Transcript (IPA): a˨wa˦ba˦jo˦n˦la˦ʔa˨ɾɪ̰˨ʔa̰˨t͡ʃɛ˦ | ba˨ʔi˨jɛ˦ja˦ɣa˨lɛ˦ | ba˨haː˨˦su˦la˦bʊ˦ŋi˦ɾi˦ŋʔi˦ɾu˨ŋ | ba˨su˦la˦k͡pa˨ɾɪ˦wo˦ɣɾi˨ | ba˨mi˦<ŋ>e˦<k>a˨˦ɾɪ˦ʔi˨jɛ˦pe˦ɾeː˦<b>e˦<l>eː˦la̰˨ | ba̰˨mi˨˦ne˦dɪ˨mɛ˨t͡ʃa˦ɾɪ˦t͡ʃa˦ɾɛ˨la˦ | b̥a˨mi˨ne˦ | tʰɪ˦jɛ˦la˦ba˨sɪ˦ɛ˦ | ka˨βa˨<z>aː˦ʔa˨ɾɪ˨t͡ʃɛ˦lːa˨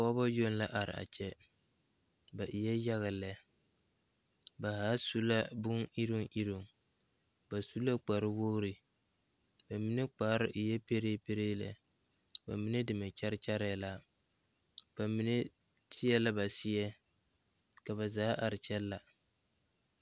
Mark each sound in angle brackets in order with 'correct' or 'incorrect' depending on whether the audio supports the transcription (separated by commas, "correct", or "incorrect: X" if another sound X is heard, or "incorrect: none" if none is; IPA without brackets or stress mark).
incorrect: n, incorrect: k͡p, incorrect: p, incorrect: ɾ, correct